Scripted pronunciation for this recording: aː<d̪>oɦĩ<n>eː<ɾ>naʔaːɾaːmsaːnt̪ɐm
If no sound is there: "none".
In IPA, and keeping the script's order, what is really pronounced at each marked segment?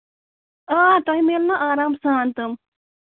t̪, m, l

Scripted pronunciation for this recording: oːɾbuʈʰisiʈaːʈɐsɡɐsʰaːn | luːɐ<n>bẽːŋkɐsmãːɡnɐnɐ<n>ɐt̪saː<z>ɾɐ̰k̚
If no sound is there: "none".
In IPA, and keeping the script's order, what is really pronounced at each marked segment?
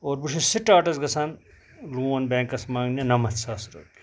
n, m, s

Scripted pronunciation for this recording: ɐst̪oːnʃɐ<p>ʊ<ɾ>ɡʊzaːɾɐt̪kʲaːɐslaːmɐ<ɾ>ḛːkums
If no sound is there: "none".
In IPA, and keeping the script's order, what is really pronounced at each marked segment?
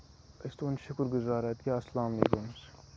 k, ɾ, l

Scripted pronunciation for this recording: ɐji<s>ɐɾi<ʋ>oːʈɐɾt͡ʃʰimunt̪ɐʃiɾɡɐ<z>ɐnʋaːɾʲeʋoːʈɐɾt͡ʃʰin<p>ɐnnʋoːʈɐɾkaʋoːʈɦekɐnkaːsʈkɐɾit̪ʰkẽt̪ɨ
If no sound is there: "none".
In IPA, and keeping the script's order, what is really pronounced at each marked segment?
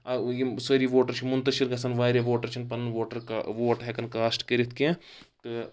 s, ʋ, s, p

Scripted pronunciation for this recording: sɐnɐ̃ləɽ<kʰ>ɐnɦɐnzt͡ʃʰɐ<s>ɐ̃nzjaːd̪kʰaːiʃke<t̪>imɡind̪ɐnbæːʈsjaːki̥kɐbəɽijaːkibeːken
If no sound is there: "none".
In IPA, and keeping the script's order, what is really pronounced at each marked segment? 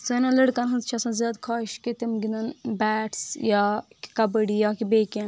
k, s, t̪

